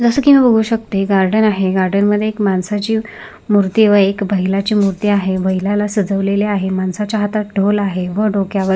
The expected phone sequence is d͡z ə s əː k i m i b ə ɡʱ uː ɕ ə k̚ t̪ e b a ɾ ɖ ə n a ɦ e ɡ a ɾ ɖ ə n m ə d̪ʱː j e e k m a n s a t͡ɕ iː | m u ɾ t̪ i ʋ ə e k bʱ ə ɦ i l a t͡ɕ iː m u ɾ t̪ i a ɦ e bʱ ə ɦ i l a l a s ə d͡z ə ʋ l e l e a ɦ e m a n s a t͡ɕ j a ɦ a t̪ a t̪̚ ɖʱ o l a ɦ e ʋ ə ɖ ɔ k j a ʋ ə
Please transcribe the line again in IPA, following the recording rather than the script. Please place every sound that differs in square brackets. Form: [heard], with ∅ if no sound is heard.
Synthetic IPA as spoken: d͡z ə s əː k i m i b ə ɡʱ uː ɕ ə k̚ t̪ e [ɡ] a ɾ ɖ ə n a ɦ e ɡ a ɾ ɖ ə n m ə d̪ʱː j e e k m a n s a t͡ɕ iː | m u ɾ t̪ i ʋ ə e k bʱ ə ɦ i l a t͡ɕ iː m u ɾ t̪ i a ɦ e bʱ ə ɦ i l a l a s ə d͡z ə ʋ l e l e a ɦ e m a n s a t͡ɕ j a ɦ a t̪ a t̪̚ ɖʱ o l a ɦ e ʋ ə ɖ [o] k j a ʋ ə